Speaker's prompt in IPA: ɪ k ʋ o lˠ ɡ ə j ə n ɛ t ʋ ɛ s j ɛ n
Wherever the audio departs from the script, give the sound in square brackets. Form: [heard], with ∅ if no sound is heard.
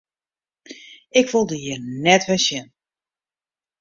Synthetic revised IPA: ɪ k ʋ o lˠ [d] ə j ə n ɛ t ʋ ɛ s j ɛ n